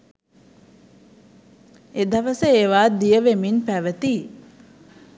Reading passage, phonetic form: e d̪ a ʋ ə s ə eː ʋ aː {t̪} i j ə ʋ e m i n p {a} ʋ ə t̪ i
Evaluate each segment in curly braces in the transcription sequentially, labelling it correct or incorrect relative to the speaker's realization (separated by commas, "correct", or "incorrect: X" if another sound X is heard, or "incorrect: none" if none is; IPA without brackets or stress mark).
incorrect: d̪, incorrect: æ